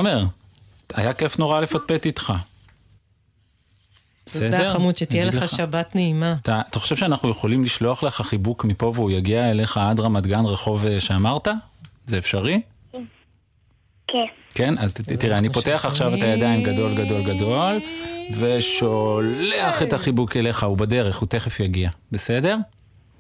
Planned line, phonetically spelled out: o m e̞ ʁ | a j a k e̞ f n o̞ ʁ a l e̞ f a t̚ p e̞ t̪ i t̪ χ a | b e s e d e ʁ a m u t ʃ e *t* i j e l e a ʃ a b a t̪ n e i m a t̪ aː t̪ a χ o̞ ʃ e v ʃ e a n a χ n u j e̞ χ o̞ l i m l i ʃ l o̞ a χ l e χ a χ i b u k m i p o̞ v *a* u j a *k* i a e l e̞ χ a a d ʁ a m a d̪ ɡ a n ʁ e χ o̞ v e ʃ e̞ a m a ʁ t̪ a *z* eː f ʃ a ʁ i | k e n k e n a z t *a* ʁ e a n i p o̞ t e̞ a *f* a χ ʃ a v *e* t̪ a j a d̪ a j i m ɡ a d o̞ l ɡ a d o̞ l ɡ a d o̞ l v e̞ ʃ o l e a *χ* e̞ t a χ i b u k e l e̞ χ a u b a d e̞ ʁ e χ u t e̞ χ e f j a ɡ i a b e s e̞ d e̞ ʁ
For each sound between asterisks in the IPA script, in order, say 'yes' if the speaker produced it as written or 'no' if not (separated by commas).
yes, no, no, yes, no, no, yes, yes